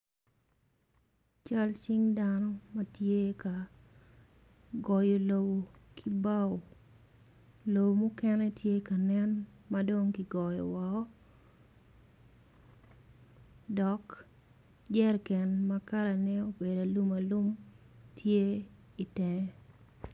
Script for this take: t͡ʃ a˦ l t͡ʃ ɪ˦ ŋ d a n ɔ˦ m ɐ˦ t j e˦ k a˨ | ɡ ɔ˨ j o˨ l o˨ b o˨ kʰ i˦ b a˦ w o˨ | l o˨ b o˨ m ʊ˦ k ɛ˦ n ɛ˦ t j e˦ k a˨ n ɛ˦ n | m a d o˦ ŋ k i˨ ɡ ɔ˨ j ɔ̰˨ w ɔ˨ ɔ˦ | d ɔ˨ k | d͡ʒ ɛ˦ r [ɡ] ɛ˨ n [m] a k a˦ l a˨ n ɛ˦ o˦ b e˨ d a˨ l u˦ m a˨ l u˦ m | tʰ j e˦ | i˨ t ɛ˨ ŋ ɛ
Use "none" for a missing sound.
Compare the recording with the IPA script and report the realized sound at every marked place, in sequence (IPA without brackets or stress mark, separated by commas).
k, m